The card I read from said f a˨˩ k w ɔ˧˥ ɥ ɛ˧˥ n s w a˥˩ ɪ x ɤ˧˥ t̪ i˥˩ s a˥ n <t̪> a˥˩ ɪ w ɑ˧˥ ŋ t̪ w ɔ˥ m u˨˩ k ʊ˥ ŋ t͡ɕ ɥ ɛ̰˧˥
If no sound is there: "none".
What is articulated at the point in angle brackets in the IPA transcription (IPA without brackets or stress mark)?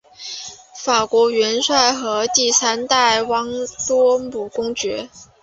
t̪